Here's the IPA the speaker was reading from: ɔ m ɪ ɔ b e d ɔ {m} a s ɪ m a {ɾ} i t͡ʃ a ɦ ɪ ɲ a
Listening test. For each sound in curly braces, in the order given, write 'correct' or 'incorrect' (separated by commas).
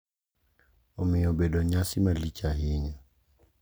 incorrect, incorrect